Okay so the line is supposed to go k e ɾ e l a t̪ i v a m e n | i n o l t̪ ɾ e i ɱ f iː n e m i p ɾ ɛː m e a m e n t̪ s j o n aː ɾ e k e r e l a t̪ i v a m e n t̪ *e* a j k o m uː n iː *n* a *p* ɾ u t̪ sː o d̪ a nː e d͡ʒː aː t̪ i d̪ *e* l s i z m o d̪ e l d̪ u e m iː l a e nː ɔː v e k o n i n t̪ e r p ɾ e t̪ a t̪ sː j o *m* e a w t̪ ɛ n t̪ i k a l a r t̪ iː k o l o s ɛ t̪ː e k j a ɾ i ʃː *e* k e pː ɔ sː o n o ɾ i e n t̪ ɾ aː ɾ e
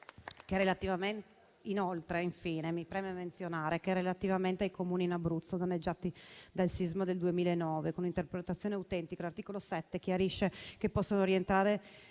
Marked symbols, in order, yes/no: yes, yes, no, no, no, yes

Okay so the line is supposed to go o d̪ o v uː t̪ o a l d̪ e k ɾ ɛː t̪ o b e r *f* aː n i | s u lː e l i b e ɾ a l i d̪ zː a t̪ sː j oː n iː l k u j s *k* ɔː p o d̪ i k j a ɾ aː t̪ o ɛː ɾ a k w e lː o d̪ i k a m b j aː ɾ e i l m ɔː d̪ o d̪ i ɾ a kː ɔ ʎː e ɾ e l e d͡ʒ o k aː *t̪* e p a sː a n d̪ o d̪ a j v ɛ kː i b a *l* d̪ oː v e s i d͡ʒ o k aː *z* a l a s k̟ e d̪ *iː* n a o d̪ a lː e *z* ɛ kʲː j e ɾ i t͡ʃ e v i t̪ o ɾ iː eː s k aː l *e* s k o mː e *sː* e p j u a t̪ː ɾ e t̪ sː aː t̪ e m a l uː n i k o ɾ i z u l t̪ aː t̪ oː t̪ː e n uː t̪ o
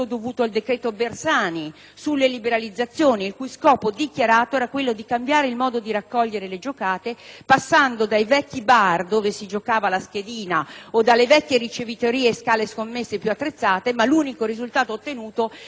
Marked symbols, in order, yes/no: no, yes, yes, no, no, yes, no, yes, yes

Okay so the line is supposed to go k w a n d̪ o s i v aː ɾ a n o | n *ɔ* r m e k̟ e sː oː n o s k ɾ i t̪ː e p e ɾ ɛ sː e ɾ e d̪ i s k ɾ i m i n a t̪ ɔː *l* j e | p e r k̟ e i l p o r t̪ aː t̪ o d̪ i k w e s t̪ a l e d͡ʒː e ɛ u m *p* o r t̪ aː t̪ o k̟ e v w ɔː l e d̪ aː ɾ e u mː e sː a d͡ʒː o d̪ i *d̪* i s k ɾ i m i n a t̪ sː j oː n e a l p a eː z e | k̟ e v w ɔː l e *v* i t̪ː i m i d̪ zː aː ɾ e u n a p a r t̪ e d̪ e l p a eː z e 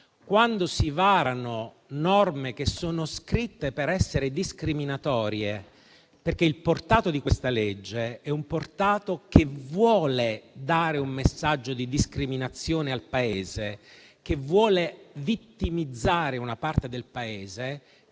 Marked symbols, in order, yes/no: yes, no, yes, yes, yes

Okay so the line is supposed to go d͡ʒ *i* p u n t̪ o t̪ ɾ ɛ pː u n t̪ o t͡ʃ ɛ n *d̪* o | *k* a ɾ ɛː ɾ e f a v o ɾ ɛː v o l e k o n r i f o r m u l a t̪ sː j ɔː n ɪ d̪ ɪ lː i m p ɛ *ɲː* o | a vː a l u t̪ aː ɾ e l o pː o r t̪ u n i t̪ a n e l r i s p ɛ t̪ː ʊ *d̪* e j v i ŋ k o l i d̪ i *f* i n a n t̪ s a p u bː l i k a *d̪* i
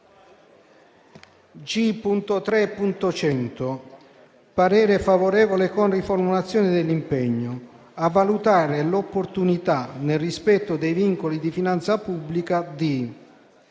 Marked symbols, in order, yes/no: yes, no, no, yes, yes, yes, yes

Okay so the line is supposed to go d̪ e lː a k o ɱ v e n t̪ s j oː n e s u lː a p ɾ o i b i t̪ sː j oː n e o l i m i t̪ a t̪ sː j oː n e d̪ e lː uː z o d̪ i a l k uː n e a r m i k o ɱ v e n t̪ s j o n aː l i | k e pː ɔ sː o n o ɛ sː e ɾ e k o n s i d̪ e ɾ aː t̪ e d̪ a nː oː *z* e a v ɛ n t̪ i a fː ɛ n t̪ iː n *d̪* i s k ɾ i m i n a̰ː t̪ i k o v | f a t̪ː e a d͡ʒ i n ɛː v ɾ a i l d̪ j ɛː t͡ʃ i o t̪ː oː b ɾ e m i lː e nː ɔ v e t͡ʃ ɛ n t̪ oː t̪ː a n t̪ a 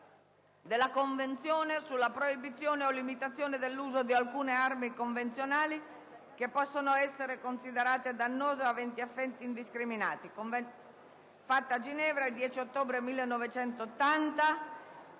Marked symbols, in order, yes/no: yes, yes

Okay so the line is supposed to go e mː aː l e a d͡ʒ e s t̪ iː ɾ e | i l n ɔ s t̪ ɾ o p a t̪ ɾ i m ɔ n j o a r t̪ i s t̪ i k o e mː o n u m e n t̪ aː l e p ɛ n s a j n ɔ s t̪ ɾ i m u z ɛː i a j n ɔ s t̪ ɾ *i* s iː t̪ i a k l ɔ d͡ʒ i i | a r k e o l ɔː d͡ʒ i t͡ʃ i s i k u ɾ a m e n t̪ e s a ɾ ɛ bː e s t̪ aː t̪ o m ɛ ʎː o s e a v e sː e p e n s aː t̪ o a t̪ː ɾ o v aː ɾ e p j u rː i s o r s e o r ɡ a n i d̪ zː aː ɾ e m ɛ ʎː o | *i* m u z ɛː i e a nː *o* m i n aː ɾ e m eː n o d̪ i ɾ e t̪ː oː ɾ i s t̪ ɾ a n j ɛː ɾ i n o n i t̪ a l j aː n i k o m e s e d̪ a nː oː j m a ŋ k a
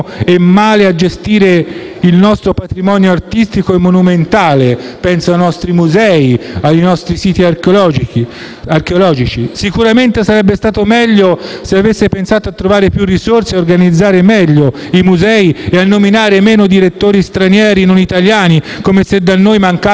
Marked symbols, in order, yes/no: yes, yes, yes

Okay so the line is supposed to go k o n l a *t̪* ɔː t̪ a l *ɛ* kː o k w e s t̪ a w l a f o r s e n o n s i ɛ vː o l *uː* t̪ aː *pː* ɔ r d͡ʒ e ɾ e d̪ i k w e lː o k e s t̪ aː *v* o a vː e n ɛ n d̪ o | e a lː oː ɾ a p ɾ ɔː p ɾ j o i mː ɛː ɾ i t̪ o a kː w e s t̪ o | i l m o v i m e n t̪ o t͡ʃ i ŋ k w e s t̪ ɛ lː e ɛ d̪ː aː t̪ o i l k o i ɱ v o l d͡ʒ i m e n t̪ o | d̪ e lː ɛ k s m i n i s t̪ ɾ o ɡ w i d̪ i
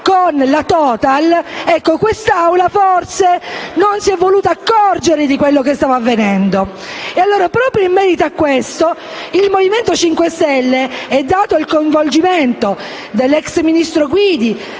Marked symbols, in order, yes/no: yes, yes, yes, no, yes

